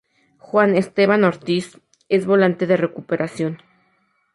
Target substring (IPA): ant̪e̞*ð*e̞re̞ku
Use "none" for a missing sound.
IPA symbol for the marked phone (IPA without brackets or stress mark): ð